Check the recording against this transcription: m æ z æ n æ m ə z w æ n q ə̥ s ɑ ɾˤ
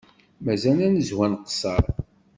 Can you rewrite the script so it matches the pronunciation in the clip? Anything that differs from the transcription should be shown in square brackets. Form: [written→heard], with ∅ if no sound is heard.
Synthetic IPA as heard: m æ z æ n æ [m→n] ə z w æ n q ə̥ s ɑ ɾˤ